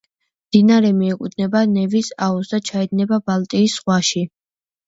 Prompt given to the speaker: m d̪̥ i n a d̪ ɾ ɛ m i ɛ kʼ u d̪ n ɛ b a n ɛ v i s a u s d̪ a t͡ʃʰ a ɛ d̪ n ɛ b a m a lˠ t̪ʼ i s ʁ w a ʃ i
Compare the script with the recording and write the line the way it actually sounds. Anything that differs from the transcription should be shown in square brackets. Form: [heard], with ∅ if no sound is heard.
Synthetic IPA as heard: m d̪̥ i n a [∅] ɾ ɛ m i ɛ kʼ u d̪ n ɛ b a n ɛ v i s a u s d̪ a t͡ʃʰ a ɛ d̪ n ɛ b a [b] a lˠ t̪ʼ [iː] s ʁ w a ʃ i